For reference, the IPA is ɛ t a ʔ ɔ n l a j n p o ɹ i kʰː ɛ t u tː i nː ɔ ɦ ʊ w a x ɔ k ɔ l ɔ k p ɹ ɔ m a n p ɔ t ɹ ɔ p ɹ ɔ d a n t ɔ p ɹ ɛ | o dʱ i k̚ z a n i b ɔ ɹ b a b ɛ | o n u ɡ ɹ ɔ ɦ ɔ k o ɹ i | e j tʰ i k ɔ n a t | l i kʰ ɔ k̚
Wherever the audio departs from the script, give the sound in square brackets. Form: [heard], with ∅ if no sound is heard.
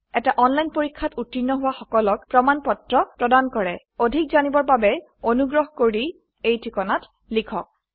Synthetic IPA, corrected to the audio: ɛ t a ʔ ɔ n l a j n p o ɹ i kʰː [a] t u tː i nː ɔ ɦ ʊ w a x ɔ k ɔ l ɔ k p ɹ ɔ m a n p ɔ t ɹ ɔ p ɹ ɔ d a n [k] ɔ [∅] ɹ ɛ | o dʱ i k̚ z a n i b ɔ ɹ b a b ɛ | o n u ɡ ɹ ɔ ɦ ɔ k o ɹ i | e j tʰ i k ɔ n a t | l i kʰ ɔ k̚